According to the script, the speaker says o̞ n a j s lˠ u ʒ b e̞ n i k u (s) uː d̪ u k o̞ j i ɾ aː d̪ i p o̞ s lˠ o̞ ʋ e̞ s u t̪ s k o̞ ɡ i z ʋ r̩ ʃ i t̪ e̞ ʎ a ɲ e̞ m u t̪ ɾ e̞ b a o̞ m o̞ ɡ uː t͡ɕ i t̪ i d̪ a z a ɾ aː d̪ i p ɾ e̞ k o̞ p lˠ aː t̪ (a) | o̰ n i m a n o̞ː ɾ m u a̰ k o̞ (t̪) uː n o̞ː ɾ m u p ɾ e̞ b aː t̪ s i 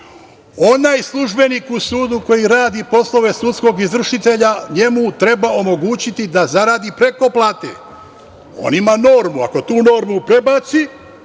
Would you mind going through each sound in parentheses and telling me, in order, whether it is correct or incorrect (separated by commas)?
correct, incorrect, correct